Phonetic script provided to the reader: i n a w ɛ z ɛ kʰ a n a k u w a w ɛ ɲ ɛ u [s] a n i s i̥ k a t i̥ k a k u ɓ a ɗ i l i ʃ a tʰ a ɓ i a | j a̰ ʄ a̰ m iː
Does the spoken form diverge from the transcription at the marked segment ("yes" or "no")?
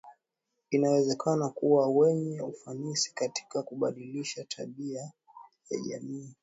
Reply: yes